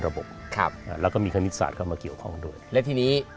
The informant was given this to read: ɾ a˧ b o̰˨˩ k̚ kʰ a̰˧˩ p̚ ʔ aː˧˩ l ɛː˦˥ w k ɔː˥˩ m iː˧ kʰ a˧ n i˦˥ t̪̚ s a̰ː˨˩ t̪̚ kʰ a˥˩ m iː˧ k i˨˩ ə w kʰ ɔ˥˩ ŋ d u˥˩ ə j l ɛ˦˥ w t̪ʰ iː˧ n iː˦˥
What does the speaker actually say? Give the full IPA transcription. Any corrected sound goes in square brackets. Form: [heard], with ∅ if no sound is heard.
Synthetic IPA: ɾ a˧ b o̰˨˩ [p̚] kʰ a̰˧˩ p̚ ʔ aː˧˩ l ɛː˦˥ w k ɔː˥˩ m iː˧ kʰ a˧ n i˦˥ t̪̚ s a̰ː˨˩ t̪̚ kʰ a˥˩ m [aː˧] k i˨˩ ə w kʰ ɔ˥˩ ŋ d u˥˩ ə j l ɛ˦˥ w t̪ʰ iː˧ n iː˦˥